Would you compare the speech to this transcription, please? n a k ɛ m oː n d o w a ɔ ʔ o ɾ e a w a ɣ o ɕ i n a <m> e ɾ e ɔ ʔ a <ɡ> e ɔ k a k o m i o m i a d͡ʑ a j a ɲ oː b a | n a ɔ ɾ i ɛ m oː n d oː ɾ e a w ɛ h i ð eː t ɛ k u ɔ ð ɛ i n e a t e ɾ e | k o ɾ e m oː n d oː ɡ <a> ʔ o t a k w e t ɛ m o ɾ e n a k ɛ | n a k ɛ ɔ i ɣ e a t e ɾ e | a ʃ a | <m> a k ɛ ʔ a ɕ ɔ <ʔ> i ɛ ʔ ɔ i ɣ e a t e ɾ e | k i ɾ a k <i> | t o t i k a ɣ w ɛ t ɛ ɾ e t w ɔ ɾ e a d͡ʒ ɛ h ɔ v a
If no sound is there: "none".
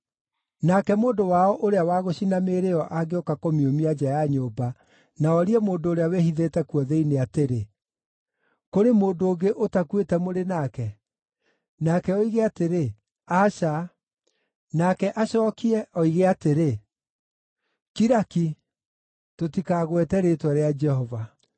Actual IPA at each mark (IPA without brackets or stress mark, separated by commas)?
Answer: m, ɡ, e, n, k, i